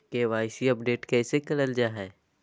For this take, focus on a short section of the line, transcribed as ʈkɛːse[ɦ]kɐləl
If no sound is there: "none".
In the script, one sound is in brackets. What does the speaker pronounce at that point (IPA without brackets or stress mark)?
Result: none